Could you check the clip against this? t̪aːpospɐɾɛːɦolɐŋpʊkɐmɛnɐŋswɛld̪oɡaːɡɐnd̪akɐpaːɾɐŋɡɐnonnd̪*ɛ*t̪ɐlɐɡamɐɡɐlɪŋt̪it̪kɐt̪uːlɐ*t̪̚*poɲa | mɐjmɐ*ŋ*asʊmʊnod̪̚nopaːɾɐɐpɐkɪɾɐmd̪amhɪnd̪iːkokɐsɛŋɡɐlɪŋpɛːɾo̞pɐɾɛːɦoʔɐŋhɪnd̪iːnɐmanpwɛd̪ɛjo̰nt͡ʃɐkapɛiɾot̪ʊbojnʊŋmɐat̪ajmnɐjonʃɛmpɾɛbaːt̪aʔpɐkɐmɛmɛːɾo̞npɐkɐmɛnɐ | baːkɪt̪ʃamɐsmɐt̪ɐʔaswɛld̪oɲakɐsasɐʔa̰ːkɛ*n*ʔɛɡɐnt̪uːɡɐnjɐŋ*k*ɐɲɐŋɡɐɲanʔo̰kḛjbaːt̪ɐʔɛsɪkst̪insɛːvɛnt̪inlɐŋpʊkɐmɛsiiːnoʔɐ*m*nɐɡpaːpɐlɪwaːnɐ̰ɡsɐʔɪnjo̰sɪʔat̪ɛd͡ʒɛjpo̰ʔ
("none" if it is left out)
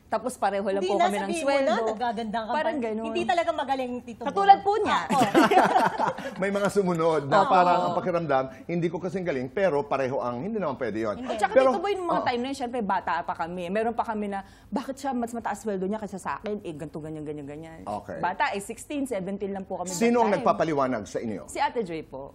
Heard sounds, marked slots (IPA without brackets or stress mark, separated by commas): i, d̪̚, ŋ, n, ɡ, ŋ